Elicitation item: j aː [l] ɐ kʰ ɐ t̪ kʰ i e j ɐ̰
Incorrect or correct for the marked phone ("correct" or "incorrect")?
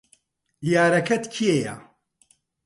incorrect